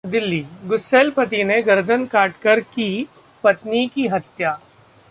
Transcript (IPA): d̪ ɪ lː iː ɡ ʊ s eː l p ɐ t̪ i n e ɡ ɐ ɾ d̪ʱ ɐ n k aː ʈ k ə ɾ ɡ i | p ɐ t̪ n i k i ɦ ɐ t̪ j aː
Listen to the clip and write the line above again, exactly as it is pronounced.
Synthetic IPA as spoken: d̪ ɪ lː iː ɡ ʊ s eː l p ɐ t̪ i n e ɡ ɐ ɾ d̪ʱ ə n k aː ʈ k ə ɾ k i | p ɐ t̪ n i k i ɦ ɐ t̪ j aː